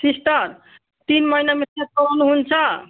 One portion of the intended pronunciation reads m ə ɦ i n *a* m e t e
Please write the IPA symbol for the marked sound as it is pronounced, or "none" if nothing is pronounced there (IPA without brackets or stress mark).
a